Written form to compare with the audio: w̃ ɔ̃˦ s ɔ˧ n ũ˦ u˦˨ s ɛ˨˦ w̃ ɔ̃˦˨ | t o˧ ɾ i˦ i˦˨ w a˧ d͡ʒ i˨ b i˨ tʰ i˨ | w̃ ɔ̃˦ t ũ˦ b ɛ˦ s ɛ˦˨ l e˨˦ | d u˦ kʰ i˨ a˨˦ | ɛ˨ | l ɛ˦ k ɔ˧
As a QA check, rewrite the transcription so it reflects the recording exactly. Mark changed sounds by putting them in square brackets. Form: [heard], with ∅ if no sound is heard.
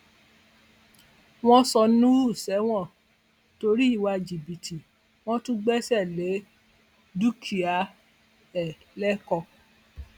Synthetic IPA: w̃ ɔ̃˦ s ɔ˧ n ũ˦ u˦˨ s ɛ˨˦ w̃ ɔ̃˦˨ | t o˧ ɾ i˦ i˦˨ w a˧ d͡ʒ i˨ b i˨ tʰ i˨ | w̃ ɔ̃˦ t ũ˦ [ɡ͡b] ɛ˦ s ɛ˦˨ l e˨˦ | d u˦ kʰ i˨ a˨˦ | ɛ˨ | l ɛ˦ k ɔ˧